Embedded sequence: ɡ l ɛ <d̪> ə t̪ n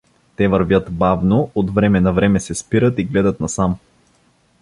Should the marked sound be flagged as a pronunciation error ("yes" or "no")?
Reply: no